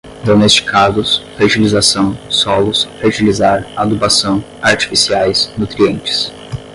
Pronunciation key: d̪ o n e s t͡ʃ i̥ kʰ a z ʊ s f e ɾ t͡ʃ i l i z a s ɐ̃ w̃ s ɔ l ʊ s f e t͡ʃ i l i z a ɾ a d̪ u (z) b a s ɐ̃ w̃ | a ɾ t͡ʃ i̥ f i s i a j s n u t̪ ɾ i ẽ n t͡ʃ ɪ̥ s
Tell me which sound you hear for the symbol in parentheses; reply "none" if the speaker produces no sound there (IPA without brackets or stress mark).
none